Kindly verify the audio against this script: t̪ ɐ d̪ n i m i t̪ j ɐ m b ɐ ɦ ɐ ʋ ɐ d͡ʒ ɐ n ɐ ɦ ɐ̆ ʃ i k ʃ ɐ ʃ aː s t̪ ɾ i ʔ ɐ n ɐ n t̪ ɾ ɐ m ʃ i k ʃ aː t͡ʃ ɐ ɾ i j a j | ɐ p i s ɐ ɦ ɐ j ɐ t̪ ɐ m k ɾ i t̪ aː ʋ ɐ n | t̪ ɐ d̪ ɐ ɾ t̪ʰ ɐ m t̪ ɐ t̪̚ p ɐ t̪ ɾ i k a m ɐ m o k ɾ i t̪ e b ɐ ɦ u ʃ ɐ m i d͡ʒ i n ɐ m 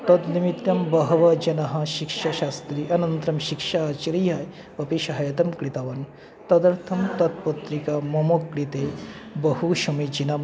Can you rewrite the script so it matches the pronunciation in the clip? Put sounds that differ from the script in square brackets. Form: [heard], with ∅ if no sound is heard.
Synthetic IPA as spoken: t̪ ɐ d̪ n i m i t̪ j ɐ m b ɐ ɦ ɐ ʋ ɐ d͡ʒ ɐ n ɐ ɦ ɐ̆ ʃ i k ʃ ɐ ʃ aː s t̪ ɾ i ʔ ɐ n ɐ n t̪ ɾ ɐ m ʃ i k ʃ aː t͡ʃ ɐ ɾ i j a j | ɐ p i [ʃ] ɐ ɦ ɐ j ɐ t̪ ɐ m k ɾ i t̪ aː ʋ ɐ n | t̪ ɐ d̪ ɐ ɾ t̪ʰ ɐ m t̪ ɐ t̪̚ p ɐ t̪ ɾ i k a m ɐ m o k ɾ i t̪ e b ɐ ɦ u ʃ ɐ m i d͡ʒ i n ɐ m